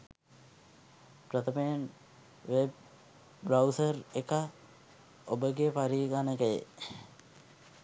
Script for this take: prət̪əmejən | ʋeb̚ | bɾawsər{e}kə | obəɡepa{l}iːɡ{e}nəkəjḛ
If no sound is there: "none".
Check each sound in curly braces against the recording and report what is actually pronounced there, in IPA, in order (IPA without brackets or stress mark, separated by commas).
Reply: e, ɾ, a